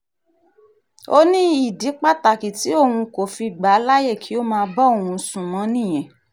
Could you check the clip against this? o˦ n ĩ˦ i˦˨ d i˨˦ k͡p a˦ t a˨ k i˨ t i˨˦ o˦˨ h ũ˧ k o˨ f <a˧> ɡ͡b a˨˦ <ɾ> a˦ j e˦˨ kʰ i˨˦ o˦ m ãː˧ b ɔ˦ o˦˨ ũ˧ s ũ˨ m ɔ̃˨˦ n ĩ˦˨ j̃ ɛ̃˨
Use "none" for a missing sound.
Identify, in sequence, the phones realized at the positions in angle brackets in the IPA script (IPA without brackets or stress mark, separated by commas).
i˧, l